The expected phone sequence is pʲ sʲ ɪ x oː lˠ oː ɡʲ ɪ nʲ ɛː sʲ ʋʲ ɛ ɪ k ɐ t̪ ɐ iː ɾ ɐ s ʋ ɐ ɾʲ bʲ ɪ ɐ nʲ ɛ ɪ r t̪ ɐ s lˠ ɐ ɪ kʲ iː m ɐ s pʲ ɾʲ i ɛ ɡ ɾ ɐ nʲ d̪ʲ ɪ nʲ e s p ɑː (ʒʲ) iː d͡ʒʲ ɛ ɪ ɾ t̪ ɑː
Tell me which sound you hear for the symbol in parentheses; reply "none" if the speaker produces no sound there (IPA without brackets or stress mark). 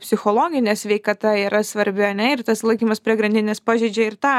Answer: ʒʲ